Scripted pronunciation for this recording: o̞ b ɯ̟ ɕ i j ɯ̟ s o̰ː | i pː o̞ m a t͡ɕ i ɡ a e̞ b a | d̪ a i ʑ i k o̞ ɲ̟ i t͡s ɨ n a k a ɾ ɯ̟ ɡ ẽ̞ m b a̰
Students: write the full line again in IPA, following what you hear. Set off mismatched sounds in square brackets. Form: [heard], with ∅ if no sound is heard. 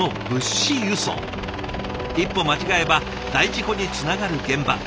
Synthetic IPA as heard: o̞ b ɯ̟ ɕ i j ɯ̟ s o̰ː | i pː o̞ m a t͡ɕ i ɡ a e̞ b a | d̪ a i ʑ i k o̞ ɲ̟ i t͡s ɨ n a [ɡ] a ɾ ɯ̟ ɡ ẽ̞ m b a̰